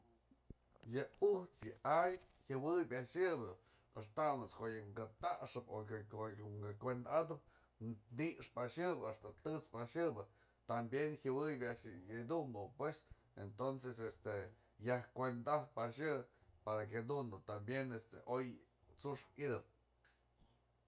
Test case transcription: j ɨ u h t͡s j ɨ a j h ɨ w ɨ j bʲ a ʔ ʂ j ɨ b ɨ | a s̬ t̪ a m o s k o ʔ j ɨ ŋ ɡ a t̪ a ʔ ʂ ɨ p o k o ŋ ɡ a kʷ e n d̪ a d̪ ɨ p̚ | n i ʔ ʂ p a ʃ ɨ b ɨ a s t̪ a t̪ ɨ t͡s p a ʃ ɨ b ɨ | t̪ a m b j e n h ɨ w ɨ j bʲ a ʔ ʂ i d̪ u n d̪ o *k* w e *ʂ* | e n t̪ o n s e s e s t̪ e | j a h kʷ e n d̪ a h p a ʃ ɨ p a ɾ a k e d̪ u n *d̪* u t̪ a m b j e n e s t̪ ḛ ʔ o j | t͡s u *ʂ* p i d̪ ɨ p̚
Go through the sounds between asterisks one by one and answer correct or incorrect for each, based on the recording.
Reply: incorrect: p, incorrect: s, correct, correct

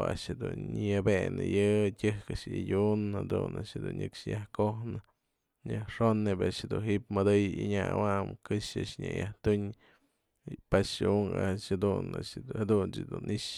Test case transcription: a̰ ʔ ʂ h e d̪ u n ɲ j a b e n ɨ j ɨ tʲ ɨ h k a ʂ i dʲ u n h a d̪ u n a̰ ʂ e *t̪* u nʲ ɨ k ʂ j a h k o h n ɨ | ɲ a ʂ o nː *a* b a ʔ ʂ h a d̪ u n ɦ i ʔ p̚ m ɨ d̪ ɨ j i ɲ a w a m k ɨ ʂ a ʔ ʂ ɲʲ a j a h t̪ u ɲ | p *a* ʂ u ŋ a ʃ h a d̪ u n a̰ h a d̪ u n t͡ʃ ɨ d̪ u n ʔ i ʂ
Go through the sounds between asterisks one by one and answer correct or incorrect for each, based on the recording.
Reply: incorrect: d̪, incorrect: e, correct

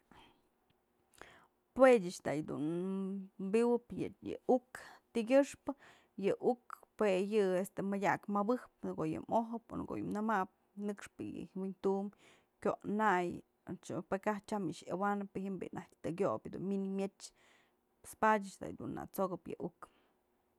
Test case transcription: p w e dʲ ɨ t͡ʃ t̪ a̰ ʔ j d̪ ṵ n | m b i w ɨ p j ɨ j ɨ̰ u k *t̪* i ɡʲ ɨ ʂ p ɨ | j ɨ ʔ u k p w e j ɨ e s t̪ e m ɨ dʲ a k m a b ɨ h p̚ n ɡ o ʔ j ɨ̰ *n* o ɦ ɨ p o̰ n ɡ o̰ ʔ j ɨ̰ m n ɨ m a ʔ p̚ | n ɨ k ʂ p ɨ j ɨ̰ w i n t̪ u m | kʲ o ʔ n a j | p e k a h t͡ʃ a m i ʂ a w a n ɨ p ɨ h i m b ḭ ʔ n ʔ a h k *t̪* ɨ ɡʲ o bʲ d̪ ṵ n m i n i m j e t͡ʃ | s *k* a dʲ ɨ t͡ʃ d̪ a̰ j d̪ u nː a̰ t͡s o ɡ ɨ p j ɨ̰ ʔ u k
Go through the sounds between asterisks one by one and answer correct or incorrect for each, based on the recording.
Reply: correct, incorrect: m, correct, incorrect: p

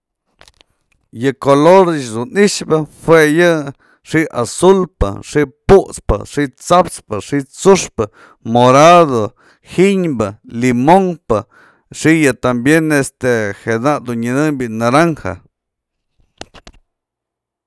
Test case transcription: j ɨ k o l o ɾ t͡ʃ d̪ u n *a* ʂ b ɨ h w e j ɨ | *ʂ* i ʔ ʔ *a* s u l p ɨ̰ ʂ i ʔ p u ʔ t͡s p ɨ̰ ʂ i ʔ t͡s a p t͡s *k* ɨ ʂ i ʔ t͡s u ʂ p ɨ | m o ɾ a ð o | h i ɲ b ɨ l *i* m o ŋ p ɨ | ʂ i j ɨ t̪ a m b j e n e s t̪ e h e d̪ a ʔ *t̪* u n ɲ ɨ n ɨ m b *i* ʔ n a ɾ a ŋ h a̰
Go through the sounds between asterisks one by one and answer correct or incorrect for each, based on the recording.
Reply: incorrect: i, correct, correct, incorrect: p, correct, incorrect: d̪, correct

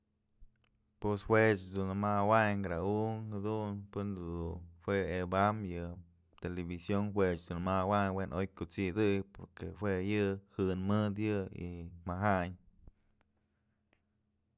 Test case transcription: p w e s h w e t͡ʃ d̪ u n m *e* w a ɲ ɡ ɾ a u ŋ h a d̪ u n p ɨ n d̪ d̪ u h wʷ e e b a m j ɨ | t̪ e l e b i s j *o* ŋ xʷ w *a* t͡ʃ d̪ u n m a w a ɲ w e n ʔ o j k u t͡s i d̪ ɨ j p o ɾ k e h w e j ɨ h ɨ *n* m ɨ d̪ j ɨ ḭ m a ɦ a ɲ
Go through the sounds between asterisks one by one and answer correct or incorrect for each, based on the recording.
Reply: incorrect: a, correct, incorrect: e, correct

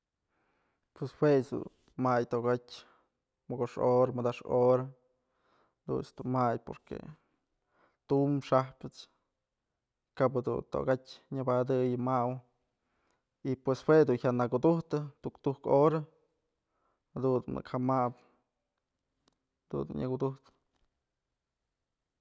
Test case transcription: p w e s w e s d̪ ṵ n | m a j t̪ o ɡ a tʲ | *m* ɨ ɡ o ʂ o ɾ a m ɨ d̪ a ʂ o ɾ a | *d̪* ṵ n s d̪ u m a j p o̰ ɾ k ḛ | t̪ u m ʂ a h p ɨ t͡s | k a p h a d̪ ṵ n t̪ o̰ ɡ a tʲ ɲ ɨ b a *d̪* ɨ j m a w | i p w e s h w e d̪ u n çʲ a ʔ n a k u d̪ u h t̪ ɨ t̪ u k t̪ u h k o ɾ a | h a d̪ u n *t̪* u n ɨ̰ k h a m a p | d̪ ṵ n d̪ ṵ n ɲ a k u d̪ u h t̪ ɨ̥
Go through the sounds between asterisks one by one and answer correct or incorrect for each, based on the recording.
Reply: correct, correct, correct, incorrect: d̪

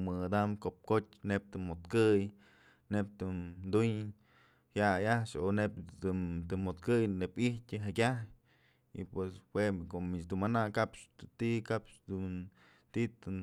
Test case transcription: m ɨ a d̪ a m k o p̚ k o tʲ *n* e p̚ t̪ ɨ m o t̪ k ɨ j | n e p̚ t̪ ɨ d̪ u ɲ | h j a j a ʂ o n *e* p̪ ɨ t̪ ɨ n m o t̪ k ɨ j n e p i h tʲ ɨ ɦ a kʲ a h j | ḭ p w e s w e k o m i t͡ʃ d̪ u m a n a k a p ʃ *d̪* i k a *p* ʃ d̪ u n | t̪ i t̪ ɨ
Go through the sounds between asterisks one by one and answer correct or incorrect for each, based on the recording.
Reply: correct, correct, incorrect: t̪, correct

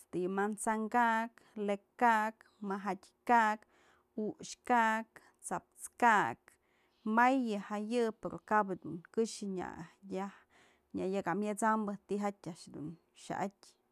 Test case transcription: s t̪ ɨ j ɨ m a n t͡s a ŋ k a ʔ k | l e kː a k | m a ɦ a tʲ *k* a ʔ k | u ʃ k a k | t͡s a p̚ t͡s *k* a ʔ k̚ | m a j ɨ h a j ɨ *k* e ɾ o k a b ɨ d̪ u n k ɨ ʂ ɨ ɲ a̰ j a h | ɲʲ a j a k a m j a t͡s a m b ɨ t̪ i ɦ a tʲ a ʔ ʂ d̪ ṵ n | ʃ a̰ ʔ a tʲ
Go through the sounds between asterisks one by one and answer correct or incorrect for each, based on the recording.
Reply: correct, correct, incorrect: p

